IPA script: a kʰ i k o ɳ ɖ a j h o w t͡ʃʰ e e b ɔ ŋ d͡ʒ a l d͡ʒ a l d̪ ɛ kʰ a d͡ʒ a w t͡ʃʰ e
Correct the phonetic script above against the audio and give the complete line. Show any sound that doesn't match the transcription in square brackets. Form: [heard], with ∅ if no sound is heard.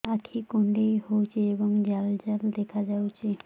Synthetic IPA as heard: a kʰ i k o ɳ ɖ [e] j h o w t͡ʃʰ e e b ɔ ŋ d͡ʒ a l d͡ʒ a l d̪ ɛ kʰ a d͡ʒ a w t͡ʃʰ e